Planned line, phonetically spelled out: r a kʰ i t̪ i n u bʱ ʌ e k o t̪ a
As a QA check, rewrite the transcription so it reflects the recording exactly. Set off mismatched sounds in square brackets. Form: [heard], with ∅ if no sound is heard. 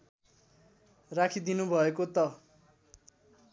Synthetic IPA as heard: r a kʰ i [d̪] i n u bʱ ʌ e k o t̪ [ʌ]

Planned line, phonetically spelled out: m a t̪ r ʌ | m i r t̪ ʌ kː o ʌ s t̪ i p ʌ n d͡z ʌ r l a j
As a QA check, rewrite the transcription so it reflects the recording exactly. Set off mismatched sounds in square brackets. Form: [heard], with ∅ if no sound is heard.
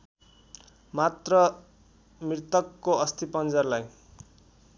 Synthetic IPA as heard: m a t̪ r ʌ | m i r t̪ ʌ kː o ʌ s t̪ i p ʌ n d͡z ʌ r l a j

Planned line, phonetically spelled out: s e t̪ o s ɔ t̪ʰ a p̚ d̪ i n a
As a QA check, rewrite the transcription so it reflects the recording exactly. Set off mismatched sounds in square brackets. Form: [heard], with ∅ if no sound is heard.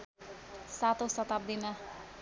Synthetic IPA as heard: s [a] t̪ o s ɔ [t̪] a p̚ d̪ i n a

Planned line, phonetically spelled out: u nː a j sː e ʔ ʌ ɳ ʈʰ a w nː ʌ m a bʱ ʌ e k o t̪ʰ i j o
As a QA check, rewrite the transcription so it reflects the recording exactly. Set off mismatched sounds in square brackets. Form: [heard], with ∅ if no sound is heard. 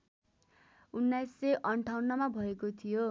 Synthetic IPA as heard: u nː a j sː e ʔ ʌ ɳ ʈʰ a w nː ʌ m a bʱ ʌ e k o t̪ʰ i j o

